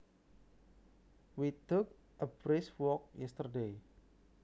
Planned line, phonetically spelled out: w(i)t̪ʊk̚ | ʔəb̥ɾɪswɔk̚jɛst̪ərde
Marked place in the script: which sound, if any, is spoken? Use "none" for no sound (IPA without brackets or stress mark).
i